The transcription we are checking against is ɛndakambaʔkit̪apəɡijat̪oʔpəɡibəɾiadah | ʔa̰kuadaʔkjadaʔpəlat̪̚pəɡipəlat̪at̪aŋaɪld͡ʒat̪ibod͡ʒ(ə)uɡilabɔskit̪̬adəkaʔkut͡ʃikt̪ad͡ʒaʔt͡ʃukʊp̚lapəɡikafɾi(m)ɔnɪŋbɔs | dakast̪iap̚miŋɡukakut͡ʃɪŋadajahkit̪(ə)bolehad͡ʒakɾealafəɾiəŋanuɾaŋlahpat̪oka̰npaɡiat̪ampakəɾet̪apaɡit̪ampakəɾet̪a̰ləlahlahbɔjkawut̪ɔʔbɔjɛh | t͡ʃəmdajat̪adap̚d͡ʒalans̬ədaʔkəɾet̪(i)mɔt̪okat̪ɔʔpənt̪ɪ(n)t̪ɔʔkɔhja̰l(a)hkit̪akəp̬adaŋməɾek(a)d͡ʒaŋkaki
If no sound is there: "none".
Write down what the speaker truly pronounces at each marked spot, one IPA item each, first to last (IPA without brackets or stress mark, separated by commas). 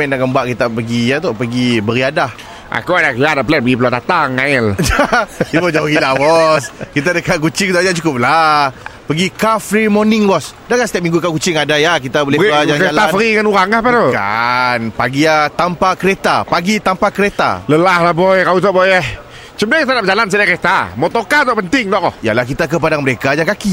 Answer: a, m, a, a, ŋ, a, a